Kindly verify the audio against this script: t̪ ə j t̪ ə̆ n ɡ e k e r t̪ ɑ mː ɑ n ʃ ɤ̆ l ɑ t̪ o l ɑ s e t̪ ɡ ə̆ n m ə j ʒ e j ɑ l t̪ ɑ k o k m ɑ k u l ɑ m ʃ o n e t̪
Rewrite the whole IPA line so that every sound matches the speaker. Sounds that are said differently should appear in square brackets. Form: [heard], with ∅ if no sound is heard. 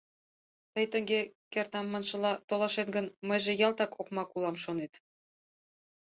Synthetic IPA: t̪ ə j t̪ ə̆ [ŋ] ɡ e k e r t̪ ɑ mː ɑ n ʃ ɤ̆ l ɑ t̪ o l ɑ [ʃ] e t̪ ɡ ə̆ n m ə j ʒ e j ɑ l t̪ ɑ k o k m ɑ k u l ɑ m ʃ o n e t̪